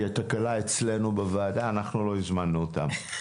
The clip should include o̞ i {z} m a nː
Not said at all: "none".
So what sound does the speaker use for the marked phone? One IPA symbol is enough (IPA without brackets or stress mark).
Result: z